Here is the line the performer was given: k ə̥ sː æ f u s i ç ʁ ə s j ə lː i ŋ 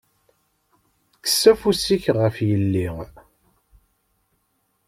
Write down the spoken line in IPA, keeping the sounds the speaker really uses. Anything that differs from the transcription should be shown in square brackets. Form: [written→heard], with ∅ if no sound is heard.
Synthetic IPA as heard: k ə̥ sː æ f u s i ç ʁ ə [s→f] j ə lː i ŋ